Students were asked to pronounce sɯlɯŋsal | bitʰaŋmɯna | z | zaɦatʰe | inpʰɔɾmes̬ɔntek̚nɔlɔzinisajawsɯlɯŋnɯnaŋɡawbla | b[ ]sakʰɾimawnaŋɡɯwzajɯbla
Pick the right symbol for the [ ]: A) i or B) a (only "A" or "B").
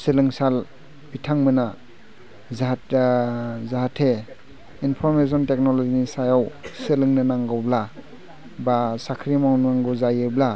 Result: B